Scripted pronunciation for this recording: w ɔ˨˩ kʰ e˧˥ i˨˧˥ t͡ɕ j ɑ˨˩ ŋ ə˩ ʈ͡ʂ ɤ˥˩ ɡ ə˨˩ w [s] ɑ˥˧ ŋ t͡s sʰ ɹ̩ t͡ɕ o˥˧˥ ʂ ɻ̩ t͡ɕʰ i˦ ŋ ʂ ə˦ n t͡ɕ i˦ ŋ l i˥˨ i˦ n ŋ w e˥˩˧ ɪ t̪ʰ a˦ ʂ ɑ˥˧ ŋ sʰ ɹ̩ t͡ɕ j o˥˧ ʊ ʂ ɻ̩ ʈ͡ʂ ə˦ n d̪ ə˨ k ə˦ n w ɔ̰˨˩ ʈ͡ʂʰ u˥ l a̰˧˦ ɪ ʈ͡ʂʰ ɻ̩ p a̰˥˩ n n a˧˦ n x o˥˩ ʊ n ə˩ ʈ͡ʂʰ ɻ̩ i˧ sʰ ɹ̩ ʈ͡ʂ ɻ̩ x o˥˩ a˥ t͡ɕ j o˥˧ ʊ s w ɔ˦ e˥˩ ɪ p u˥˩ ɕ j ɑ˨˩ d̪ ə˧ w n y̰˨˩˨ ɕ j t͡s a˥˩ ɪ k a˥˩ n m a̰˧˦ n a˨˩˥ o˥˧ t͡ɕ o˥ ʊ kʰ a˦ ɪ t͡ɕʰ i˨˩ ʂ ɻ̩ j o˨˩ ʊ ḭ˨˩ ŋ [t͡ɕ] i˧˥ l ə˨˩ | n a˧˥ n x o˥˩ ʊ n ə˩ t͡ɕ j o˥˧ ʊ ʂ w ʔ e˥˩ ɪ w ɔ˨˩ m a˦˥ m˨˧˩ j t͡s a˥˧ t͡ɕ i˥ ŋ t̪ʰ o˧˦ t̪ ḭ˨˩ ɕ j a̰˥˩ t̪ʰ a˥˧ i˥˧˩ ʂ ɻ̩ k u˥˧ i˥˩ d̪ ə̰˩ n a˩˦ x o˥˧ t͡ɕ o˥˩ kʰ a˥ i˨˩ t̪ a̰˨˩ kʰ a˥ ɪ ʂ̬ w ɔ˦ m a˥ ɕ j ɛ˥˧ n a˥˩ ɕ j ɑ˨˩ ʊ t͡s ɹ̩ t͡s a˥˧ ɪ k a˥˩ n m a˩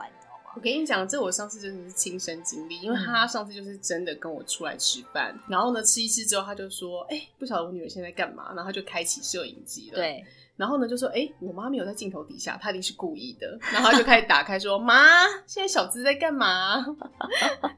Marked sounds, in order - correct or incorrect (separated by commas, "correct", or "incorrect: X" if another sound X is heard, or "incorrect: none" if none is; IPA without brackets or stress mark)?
incorrect: ʂ, correct